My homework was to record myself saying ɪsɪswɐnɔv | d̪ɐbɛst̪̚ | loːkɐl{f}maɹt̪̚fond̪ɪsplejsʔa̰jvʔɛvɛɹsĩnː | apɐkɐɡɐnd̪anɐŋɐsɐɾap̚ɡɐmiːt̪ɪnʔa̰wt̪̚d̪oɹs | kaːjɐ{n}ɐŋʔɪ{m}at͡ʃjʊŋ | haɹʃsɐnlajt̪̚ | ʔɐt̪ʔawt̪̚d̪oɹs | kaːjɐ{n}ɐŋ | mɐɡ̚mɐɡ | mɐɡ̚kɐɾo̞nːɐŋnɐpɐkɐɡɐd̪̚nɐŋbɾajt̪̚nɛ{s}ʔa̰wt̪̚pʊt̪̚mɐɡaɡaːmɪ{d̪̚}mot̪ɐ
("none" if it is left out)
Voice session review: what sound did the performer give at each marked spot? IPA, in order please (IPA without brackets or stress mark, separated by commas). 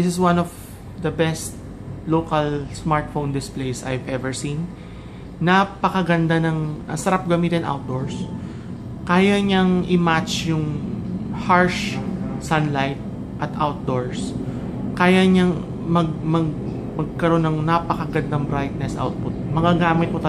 s, ɲ, m, ɲ, s, t̪̚